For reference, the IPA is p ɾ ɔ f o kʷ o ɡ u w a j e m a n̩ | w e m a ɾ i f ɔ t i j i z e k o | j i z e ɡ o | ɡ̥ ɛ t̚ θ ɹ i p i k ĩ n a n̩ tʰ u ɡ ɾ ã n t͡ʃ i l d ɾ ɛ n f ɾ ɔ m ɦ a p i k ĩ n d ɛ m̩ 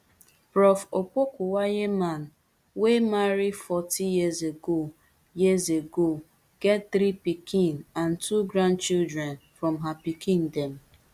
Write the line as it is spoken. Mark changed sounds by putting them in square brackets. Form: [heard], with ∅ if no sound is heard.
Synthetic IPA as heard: p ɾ ɔ f o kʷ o [k] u w a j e m a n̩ | w e m a ɾ i f ɔ t i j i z e [ɡ] o | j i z e ɡ o | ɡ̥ ɛ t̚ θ [ɾ] i p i k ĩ n a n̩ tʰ u ɡ ɾ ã n t͡ʃ i l d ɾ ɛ n f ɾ ɔ m ɦ a p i k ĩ n d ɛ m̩